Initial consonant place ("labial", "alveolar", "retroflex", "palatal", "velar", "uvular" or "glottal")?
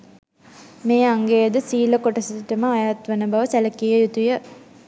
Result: labial